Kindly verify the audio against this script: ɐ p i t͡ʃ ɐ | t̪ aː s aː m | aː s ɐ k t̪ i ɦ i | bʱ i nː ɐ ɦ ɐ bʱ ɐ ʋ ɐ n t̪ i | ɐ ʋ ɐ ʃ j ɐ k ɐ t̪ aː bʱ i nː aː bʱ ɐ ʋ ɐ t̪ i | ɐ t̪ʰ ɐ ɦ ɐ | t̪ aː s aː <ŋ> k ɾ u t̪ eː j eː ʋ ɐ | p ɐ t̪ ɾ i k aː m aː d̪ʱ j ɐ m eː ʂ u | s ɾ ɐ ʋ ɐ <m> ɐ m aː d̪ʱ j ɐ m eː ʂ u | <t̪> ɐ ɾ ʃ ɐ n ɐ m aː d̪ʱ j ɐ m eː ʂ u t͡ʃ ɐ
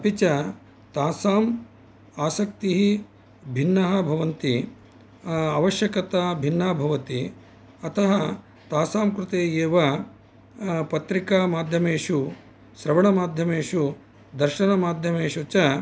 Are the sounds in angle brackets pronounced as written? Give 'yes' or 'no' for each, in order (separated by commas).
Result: no, no, no